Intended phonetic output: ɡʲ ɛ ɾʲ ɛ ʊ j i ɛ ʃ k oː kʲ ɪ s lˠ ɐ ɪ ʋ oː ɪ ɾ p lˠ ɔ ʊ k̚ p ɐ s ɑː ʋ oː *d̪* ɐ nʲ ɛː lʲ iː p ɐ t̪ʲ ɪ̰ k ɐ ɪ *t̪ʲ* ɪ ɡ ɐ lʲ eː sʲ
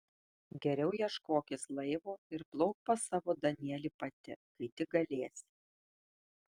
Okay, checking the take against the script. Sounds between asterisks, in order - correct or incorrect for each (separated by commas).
correct, correct